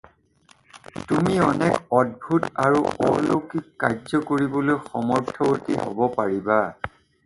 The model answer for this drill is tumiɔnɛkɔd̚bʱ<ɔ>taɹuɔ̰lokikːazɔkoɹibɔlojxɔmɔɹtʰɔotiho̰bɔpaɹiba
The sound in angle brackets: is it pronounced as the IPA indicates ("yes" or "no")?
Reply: no